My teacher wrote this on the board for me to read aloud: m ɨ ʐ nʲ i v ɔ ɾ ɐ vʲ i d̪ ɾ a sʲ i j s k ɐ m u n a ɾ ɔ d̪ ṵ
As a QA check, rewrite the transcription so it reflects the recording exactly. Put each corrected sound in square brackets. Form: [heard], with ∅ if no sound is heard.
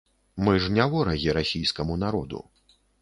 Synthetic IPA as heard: m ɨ ʐ nʲ [a] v ɔ ɾ ɐ [ɣʲ] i [∅] ɾ a sʲ i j s k ɐ m u n a ɾ ɔ d̪ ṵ